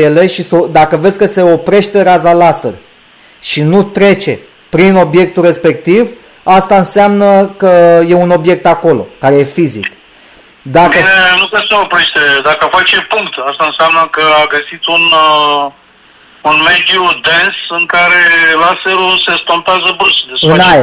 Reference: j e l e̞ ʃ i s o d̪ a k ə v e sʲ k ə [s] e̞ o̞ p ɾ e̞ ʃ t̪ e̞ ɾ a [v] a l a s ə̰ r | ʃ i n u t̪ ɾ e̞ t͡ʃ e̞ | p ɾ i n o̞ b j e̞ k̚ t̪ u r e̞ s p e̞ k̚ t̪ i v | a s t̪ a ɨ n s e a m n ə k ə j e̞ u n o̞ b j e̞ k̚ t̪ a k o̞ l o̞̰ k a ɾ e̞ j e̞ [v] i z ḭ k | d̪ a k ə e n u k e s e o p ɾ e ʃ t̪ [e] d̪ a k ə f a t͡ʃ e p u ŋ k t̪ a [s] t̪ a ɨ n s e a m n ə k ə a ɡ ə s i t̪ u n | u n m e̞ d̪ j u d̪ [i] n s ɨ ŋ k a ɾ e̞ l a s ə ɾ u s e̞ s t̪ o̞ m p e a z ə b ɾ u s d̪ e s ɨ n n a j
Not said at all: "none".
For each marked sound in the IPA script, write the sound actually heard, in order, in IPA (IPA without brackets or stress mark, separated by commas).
s, z, f, e, s, e